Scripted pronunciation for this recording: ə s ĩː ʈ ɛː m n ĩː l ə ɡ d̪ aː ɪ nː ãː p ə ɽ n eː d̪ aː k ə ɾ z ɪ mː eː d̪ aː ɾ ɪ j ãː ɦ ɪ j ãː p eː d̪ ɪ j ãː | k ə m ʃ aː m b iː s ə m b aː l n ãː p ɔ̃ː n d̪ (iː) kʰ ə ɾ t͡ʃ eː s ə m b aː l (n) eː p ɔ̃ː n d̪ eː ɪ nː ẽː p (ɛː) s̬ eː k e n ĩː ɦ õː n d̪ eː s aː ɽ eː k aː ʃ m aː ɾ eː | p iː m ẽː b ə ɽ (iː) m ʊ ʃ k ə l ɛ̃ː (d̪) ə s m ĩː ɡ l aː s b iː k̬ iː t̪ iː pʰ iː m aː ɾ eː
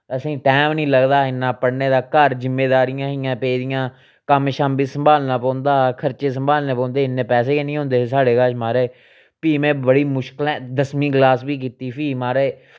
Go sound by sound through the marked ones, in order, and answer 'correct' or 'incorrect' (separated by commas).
incorrect, correct, correct, correct, correct